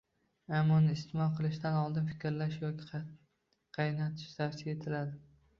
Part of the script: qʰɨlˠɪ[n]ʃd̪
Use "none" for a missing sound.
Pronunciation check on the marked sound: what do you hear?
none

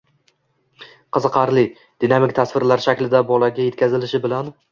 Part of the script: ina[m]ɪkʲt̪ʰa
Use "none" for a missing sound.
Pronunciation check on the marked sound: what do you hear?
m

